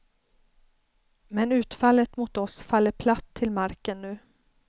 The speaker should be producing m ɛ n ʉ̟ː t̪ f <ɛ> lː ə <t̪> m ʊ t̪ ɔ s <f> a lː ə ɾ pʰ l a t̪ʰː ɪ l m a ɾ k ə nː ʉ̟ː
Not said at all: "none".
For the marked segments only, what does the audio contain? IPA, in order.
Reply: a, t̪, f

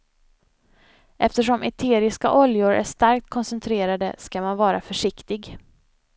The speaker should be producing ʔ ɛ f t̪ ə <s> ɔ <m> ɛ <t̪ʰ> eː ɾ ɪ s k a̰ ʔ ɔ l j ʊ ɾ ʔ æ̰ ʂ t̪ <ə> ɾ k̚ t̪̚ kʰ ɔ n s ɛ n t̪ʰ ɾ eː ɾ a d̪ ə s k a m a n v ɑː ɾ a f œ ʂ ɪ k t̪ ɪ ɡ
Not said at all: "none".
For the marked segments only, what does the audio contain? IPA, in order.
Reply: ʂ, m, t̪ʰ, a

